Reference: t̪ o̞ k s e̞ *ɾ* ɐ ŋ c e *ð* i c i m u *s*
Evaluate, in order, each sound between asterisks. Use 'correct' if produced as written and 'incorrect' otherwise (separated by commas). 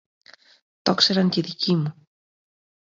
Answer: correct, correct, incorrect